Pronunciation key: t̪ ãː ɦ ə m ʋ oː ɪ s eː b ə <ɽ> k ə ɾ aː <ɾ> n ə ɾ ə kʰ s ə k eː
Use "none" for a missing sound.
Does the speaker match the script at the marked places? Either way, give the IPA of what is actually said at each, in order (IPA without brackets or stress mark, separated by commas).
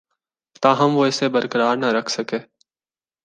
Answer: ɾ, ɾ